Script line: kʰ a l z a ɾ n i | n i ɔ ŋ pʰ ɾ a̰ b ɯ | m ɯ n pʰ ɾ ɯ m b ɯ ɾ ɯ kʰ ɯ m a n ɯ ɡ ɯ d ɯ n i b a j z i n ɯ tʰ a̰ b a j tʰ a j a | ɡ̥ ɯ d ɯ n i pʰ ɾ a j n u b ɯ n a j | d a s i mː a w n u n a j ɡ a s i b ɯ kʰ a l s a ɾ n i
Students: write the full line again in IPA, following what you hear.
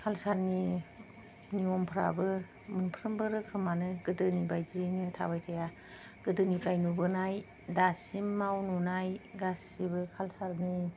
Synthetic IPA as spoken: kʰ a l s a ɾ n i | n i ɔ m pʰ ɾ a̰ b ɯ | m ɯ n pʰ ɾ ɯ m b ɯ ɾ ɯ kʰ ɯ m a n ɯ ɡ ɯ d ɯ n i b a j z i n ɯ tʰ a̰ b a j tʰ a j a | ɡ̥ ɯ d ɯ n i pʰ ɾ a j n u b ɯ n a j | d a s i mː a w n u n a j ɡ a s i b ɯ kʰ a l s a ɾ n i